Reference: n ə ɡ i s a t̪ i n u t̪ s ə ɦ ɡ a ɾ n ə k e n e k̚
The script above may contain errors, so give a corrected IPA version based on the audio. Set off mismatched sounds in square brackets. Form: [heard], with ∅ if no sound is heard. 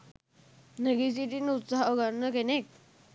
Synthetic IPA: n ə ɡ i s [i] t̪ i n u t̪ s [a] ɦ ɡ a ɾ n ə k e n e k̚